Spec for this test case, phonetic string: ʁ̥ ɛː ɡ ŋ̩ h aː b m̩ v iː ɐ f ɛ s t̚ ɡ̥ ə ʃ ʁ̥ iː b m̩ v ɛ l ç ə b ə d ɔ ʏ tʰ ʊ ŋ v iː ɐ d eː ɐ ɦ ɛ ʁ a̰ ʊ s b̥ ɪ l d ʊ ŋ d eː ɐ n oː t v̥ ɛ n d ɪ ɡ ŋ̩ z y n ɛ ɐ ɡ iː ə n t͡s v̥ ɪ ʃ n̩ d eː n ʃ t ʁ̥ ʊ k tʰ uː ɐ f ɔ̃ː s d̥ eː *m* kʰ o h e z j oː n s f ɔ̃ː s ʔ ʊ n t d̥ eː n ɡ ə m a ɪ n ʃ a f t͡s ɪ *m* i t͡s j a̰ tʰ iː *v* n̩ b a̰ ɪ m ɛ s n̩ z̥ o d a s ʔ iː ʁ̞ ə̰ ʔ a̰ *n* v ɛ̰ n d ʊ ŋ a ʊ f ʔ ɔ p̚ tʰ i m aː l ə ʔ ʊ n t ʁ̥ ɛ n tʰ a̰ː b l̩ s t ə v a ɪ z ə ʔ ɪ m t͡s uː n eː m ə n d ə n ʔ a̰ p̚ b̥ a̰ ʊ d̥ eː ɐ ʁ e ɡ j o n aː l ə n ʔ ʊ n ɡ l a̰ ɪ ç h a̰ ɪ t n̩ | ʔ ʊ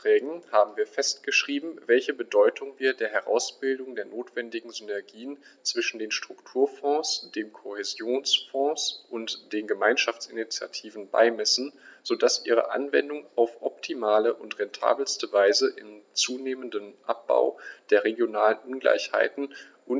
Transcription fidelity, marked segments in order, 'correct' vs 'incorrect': correct, incorrect, correct, correct

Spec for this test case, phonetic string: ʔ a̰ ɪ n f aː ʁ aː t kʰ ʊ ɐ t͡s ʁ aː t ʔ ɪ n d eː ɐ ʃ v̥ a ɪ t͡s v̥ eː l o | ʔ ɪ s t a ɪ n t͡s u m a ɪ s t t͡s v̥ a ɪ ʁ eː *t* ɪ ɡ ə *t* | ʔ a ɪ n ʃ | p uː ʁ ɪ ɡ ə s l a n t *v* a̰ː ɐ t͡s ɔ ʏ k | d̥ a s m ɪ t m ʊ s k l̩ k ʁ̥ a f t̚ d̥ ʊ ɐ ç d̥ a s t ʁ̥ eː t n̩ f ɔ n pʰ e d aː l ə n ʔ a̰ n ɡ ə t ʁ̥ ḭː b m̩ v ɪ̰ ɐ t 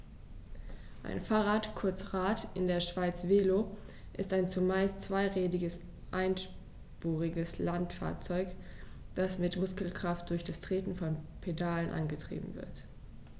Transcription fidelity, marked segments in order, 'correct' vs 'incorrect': incorrect, incorrect, incorrect

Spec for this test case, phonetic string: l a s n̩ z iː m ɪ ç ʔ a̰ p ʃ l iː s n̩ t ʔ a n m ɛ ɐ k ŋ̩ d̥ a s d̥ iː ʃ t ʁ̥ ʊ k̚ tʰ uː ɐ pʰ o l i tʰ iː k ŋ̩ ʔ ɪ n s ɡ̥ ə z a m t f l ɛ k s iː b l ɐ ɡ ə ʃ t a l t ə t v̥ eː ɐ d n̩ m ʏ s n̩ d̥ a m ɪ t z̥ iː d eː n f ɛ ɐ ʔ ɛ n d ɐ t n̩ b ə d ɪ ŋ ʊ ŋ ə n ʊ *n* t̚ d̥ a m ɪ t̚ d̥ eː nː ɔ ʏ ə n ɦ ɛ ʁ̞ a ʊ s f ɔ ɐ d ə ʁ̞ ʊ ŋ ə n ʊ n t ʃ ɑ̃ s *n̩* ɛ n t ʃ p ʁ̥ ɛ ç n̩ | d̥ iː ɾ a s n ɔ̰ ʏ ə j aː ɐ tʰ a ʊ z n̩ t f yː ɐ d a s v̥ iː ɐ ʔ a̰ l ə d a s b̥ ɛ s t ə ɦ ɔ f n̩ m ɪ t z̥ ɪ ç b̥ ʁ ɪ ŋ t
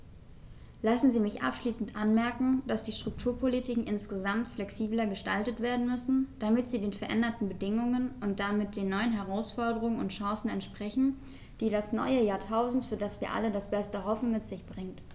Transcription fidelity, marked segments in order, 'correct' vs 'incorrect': correct, correct

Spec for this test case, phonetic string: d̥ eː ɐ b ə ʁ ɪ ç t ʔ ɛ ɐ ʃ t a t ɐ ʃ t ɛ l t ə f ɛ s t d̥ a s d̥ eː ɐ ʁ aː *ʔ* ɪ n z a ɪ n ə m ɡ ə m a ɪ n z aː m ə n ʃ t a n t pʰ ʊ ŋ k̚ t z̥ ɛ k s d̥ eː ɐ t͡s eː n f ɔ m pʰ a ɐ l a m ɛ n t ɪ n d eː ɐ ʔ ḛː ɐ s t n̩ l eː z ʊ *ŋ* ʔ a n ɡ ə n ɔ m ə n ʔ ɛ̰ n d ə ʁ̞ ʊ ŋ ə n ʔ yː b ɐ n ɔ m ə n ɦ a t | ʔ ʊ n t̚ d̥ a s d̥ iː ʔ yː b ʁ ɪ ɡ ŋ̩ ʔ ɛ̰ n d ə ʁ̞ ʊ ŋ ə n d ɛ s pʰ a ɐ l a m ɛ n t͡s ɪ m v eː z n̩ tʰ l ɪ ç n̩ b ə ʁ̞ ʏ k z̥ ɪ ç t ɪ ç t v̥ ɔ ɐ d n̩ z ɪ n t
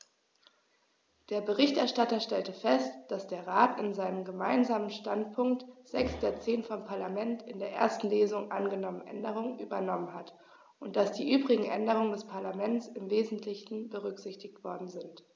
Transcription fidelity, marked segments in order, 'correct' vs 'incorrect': incorrect, correct

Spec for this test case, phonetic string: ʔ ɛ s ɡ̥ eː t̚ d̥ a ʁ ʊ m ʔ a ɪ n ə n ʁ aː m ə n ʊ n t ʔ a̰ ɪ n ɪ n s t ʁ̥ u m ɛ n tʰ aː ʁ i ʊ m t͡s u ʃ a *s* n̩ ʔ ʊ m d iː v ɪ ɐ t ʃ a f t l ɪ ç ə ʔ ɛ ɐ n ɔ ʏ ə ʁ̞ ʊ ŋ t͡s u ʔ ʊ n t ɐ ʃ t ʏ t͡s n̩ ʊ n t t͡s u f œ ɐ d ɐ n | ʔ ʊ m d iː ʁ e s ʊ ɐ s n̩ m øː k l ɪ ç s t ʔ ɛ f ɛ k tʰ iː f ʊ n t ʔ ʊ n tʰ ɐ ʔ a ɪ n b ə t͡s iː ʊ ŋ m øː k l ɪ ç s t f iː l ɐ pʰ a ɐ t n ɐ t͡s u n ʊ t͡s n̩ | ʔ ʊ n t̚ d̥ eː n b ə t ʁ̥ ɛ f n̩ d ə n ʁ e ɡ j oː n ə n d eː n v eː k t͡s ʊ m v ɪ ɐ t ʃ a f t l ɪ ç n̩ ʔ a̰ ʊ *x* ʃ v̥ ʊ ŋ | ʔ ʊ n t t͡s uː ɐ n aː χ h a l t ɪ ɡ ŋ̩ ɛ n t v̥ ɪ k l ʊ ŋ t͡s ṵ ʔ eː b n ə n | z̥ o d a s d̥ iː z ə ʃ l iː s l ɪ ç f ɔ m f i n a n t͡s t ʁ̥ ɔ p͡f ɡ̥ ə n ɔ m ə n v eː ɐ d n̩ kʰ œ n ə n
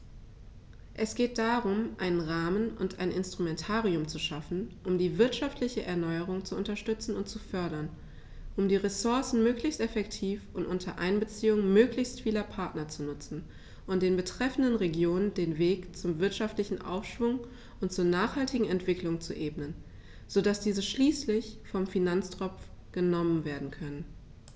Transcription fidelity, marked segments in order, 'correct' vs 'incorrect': incorrect, incorrect

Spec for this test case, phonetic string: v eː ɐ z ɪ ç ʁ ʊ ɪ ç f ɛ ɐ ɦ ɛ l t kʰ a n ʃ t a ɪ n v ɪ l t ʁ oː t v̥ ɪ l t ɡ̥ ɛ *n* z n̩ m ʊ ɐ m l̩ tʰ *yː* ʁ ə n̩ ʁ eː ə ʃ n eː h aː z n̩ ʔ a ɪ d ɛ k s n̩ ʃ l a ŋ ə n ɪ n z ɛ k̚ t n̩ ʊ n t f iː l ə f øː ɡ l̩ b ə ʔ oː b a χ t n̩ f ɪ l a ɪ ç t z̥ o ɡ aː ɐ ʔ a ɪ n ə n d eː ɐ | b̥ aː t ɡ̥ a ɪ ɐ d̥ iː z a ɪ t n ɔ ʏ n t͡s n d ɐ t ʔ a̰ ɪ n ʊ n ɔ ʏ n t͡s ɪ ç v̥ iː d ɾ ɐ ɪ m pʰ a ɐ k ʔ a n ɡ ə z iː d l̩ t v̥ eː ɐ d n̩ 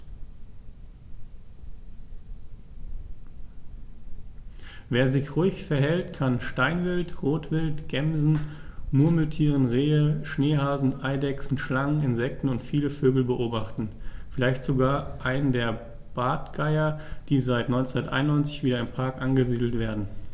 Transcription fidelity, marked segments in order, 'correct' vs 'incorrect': incorrect, incorrect

